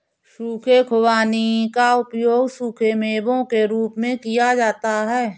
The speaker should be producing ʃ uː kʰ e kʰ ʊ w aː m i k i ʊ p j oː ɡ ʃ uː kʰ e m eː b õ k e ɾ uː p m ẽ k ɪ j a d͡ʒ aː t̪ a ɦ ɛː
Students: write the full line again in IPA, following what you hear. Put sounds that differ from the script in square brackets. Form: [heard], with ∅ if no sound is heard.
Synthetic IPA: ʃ uː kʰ e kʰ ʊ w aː [n] i k [a] ʊ p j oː ɡ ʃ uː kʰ e m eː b õ k e ɾ uː p m ẽ k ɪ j a d͡ʒ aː t̪ a ɦ ɛː